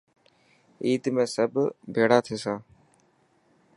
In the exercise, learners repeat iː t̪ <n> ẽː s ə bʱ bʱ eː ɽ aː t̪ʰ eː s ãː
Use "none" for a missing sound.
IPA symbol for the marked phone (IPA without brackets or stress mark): m